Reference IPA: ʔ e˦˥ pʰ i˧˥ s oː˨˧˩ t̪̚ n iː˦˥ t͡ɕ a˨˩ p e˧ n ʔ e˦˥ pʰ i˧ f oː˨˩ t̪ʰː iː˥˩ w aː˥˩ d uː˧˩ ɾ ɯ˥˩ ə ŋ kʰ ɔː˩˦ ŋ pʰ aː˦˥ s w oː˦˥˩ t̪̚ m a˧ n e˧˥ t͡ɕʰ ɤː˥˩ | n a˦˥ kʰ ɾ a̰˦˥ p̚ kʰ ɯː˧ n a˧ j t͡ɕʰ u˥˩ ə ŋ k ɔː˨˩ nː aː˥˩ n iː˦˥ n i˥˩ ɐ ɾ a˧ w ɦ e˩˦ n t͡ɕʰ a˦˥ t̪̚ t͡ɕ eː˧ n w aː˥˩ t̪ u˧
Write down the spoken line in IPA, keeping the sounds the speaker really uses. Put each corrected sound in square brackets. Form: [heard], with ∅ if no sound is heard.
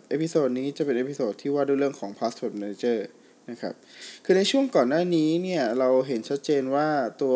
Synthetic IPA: ʔ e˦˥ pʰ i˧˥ s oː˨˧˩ t̪̚ n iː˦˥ t͡ɕ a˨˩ p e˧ n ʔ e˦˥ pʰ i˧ [s] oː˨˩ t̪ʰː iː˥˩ w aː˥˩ d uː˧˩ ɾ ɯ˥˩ ə ŋ kʰ ɔː˩˦ ŋ pʰ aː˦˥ s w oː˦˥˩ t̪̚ m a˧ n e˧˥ [t͡ɕ] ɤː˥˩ | n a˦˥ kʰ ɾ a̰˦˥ p̚ kʰ ɯː˧ n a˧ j t͡ɕʰ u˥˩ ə ŋ k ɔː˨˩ nː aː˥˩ n iː˦˥ n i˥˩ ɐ ɾ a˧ w ɦ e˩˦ n t͡ɕʰ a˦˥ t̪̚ t͡ɕ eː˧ n w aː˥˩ t̪ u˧